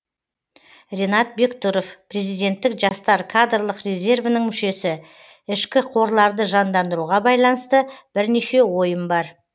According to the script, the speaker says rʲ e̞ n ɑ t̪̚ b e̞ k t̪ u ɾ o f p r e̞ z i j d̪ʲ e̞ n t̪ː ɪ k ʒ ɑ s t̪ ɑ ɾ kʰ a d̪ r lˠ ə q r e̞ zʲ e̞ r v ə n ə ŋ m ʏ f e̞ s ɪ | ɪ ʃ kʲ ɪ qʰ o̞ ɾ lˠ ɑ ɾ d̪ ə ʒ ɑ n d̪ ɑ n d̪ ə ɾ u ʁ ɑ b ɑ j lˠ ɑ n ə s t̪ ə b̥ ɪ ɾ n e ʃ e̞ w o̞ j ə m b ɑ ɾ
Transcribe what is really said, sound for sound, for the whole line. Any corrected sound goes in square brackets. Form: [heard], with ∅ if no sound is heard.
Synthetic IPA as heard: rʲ e̞ n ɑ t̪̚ b e̞ k t̪ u ɾ o f p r e̞ z i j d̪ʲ e̞ n t̪ː ɪ k ʒ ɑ s t̪ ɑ ɾ kʰ a d̪ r lˠ ə q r e̞ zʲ e̞ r v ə n ə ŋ m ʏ [ʃ] e̞ s ɪ | ɪ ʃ kʲ ɪ qʰ o̞ ɾ lˠ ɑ ɾ d̪ ə ʒ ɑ n d̪ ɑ n d̪ ə ɾ u ʁ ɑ b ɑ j lˠ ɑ n ə s t̪ ə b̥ ɪ ɾ n e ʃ e̞ w o̞ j ə m b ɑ ɾ